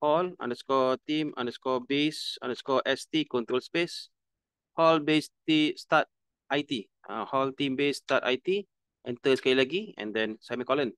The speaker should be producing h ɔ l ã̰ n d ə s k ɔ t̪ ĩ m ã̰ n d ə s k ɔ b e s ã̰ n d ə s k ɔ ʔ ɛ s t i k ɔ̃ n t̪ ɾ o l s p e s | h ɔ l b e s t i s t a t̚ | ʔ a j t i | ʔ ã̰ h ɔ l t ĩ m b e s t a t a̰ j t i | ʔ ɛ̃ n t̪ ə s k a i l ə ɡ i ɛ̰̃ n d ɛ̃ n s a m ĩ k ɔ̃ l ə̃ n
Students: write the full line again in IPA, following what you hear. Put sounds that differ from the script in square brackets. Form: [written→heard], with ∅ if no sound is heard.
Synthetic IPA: h ɔ l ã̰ n d ə s k ɔ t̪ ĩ m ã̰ n d ə s k ɔ b e s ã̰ n d ə s k ɔ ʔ ɛ s t i k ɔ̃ n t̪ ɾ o l s p e s | h ɔ l b e s t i s t a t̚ | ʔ a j t i | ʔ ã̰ h ɔ l t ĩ m b e s t a t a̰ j t i | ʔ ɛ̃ n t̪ ə s k a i l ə ɡ i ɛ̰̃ n d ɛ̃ n s a m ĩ k [ɔ̃→ɔ] l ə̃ n